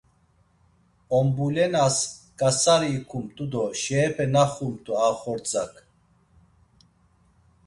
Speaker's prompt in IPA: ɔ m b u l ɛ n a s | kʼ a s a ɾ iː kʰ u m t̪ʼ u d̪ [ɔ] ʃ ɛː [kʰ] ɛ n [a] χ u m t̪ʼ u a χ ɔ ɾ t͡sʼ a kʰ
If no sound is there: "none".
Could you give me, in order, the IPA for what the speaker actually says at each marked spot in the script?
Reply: ɔ, pʰ, a

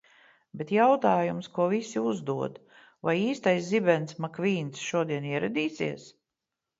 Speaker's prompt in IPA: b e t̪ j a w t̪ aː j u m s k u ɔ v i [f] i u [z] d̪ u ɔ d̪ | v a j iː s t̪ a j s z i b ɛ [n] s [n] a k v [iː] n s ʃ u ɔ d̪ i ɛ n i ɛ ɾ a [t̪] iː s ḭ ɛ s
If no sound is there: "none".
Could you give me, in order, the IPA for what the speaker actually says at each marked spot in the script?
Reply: s, z, n, m, iː, d̪

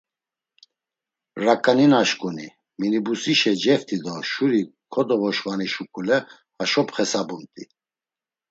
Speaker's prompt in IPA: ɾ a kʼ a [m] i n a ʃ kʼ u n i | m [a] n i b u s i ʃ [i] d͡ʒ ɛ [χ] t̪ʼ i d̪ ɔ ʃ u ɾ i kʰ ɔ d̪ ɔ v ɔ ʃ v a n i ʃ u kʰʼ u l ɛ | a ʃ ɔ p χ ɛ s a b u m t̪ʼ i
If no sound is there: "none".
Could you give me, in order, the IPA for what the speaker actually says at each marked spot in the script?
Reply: n, i, ɛ, f

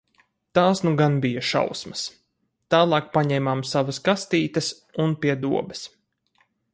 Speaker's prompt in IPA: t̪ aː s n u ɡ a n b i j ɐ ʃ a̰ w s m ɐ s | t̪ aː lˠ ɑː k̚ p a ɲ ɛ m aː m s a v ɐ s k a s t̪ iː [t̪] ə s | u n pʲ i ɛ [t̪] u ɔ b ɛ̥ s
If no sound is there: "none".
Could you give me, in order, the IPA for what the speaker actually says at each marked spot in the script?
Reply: t̪, d̪

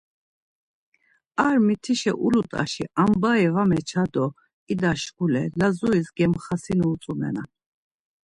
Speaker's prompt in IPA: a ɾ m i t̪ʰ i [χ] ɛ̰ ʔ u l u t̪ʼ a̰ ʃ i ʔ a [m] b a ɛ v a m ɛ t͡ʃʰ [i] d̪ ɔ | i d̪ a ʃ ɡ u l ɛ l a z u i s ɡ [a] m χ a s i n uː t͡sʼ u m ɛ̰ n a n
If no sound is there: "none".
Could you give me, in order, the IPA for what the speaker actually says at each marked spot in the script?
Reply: ʃ, m, a, ɛ

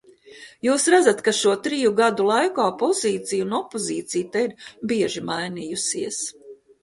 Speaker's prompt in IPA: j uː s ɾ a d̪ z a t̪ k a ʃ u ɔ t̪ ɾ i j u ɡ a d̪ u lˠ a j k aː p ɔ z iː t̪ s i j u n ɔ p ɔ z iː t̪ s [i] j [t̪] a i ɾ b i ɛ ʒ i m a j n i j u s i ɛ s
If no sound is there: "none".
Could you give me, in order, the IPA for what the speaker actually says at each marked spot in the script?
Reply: i, t̪

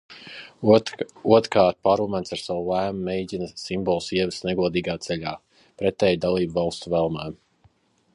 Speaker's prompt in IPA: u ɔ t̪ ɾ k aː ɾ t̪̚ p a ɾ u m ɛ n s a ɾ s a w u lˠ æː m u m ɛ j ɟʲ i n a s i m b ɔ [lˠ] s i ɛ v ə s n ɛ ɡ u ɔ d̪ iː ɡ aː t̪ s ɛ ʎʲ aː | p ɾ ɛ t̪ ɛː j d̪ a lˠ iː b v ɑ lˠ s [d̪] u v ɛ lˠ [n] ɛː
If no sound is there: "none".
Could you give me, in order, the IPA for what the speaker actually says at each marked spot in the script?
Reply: lˠ, t̪, m

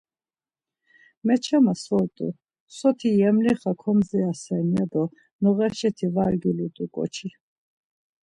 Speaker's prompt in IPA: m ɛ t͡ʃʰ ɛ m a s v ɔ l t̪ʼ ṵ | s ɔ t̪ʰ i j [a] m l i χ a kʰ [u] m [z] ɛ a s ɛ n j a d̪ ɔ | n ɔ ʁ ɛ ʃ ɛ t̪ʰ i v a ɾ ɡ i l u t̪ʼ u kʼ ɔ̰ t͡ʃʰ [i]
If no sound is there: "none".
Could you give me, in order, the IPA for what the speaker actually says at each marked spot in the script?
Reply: ɛ, ɔ, z, i

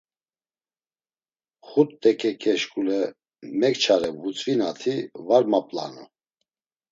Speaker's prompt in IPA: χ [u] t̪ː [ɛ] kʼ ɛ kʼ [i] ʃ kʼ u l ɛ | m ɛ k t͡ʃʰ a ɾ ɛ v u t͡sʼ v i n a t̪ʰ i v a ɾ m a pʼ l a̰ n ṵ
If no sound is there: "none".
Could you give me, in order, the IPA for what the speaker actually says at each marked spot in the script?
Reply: u, ɛ, ɛ

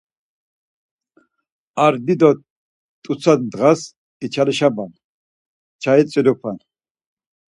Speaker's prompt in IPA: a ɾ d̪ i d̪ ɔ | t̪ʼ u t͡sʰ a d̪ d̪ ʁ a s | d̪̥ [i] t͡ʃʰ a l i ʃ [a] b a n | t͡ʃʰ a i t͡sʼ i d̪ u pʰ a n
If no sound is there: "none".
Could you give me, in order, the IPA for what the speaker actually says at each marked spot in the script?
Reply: i, a

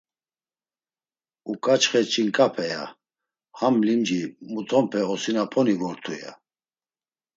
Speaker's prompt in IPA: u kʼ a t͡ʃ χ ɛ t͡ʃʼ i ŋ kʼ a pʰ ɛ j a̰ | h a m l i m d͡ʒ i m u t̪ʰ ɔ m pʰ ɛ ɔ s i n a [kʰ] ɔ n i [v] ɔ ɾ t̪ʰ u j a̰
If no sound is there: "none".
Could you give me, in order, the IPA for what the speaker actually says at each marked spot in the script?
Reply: pʰ, v

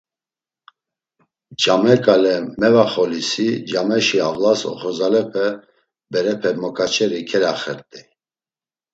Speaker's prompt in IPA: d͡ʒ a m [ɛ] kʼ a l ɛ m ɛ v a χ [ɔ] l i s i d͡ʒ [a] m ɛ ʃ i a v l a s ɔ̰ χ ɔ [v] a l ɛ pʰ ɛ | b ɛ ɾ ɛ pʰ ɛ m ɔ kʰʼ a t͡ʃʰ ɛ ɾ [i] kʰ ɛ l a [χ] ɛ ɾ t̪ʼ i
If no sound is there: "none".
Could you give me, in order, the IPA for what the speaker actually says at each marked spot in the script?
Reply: ɛ, ɔ, a, z, i, χ

